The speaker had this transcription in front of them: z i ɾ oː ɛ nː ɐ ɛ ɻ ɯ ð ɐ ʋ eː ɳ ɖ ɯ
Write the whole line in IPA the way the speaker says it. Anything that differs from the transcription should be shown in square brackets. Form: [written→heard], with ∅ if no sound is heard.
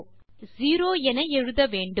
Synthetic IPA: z [i→iː] ɾ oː ɛ [nː→n] ɐ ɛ ɻ ɯ ð ɐ ʋ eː ɳ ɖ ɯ